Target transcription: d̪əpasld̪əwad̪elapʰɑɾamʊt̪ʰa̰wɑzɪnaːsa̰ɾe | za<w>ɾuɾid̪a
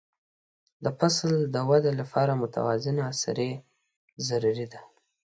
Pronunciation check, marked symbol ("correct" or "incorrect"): incorrect